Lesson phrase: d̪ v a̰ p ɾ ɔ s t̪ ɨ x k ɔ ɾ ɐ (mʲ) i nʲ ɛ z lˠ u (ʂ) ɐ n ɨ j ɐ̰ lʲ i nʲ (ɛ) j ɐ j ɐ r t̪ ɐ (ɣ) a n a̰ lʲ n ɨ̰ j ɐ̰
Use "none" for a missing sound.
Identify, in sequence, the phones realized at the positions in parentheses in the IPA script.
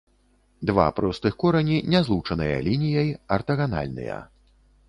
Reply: nʲ, t͡ʂ, i, ɣ

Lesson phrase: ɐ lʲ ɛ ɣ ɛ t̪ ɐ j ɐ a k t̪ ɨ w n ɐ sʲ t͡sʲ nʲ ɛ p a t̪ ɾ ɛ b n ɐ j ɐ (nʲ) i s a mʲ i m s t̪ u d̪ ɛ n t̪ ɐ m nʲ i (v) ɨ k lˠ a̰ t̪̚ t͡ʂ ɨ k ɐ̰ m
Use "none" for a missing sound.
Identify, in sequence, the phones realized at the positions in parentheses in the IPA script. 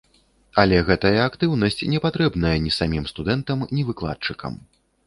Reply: nʲ, v

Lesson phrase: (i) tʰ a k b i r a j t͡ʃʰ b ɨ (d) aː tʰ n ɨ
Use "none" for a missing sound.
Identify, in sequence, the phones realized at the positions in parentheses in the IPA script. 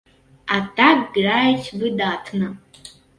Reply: a, d

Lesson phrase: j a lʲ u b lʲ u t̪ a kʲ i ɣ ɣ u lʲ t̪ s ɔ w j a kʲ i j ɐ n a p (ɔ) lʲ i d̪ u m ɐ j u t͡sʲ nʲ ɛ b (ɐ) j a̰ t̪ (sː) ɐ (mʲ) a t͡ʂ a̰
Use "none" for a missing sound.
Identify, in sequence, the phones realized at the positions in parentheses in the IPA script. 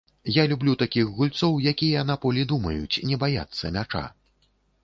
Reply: ɔ, a, sː, mʲ

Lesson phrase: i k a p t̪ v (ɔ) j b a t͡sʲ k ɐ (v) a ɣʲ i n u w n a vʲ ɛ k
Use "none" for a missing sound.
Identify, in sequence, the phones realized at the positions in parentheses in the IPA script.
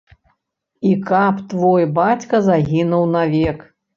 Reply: ɔ, z

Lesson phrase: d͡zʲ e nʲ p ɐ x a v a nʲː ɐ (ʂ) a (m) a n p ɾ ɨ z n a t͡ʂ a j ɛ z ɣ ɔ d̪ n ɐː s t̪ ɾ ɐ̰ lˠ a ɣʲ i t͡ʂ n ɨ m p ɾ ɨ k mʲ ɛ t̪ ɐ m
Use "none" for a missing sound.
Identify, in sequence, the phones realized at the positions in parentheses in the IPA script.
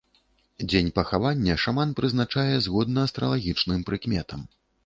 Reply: ʂ, m

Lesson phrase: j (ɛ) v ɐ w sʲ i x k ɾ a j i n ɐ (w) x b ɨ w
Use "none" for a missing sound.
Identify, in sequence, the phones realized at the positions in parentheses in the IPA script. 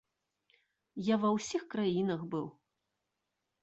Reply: a, none

